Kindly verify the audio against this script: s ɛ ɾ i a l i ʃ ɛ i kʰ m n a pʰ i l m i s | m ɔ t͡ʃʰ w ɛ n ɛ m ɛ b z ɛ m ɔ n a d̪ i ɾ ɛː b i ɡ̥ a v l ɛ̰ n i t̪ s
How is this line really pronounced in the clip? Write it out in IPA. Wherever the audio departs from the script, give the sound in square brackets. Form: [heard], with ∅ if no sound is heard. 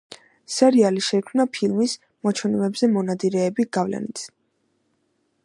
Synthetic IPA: s ɛ ɾ i a l i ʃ ɛ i kʰ m n a pʰ i l m i s | m ɔ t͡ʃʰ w ɛ n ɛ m ɛ b z ɛ m ɔ n a d̪ i ɾ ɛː b i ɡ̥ a v l ɛ̰ n i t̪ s